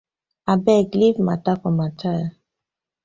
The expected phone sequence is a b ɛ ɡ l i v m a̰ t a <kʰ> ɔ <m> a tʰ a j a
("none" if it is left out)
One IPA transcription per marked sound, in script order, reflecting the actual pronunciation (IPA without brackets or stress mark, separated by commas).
k, m